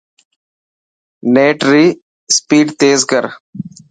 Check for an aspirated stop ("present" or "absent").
absent